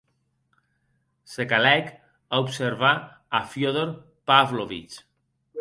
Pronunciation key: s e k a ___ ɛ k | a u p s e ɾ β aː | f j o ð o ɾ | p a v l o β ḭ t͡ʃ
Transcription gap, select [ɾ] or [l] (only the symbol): l